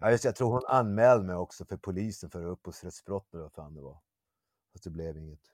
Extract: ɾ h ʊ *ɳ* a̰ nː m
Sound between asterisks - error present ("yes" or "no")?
yes